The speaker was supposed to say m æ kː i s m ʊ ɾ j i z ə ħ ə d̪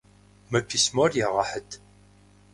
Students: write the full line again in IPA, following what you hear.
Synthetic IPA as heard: m æ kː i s m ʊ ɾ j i ʁ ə ħ ə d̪